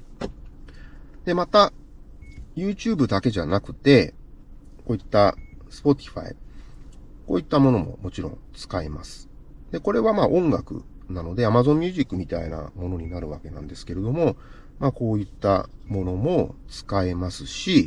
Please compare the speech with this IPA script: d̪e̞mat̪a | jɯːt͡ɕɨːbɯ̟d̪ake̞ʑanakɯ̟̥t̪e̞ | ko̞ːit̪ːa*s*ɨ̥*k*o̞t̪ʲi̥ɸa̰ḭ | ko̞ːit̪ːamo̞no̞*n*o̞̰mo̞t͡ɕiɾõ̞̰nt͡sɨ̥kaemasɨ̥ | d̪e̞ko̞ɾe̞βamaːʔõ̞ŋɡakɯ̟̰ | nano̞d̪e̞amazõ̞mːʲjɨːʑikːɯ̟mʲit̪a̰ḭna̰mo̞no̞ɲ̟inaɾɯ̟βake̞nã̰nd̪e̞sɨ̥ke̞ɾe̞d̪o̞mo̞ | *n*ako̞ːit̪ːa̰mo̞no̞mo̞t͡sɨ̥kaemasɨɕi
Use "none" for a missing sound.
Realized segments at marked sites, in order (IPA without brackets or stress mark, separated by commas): s, p, m, m